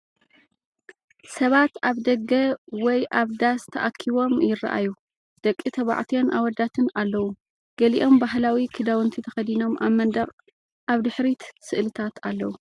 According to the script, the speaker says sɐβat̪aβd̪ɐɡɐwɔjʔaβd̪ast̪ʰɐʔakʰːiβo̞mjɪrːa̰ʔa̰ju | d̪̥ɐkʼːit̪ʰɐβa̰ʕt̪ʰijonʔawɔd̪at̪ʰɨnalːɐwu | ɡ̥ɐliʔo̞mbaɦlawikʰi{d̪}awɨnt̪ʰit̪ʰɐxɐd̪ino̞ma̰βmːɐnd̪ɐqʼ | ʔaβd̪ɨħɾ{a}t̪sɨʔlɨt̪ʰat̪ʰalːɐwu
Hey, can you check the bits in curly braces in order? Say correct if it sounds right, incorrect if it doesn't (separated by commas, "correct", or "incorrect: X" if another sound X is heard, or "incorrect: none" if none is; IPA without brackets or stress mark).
correct, incorrect: i